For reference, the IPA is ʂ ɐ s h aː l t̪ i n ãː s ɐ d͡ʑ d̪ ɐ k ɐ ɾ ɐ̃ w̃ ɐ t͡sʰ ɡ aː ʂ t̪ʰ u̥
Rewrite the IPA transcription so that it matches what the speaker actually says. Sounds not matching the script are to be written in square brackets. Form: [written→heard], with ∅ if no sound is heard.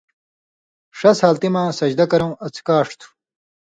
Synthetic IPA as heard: ʂ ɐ s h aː l t̪ i [n→m] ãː s ɐ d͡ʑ d̪ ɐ k ɐ ɾ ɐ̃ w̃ ɐ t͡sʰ [ɡ→k] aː ʂ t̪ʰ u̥